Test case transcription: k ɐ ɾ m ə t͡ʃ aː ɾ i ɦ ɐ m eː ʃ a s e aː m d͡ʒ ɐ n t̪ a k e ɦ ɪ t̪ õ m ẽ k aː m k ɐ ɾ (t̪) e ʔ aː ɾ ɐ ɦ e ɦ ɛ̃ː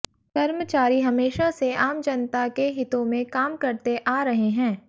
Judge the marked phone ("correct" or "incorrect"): correct